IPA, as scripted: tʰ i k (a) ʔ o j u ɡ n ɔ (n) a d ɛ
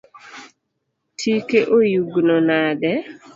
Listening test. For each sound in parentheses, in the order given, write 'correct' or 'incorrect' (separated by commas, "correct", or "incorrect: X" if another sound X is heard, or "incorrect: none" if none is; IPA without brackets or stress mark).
incorrect: e, correct